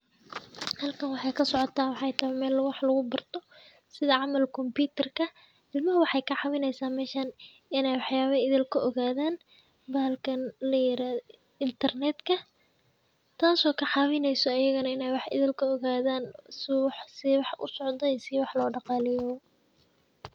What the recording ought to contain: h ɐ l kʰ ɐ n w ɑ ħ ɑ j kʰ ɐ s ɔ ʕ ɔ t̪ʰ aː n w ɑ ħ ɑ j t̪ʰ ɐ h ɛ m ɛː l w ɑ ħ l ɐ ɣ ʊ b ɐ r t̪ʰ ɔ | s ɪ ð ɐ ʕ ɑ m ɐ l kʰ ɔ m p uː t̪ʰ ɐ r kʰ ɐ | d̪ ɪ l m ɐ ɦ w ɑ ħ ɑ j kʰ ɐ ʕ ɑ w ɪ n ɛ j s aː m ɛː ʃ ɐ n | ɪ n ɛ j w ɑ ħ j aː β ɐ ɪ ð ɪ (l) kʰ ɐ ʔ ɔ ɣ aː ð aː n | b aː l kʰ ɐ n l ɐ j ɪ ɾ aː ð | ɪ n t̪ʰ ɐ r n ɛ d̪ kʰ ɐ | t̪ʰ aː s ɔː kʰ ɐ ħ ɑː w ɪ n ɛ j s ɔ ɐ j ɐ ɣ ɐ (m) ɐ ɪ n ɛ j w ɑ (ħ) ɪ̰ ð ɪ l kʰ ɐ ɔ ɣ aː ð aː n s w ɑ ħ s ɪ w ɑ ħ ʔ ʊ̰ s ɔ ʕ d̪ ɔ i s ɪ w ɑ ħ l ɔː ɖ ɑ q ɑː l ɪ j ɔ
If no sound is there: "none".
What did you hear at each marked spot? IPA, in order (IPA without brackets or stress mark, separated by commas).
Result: l, n, ħ